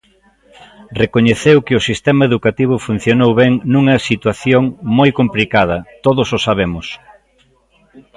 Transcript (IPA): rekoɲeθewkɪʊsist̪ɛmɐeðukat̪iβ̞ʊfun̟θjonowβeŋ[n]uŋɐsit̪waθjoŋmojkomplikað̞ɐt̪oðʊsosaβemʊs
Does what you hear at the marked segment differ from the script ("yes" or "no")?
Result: no